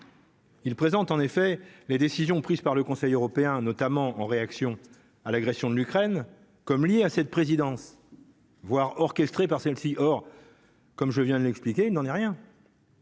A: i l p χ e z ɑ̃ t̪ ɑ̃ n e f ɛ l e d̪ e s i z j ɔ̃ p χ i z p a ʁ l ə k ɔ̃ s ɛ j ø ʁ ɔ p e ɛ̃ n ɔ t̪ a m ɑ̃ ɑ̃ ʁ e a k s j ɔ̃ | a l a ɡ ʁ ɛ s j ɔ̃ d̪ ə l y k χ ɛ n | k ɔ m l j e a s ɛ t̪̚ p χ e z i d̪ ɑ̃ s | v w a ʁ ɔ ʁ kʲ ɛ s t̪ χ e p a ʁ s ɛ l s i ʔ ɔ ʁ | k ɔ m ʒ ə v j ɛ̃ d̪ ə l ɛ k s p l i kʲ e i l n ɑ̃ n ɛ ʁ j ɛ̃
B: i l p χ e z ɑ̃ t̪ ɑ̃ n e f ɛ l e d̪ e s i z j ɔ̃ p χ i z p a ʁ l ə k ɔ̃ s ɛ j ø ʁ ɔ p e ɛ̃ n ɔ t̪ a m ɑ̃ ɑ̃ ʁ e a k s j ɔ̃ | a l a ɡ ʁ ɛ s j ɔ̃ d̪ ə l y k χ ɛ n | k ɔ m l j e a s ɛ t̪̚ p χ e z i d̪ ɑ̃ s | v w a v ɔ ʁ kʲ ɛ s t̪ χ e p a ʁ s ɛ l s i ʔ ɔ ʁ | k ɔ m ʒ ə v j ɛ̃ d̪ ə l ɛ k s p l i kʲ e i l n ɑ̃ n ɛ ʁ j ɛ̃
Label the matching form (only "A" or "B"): A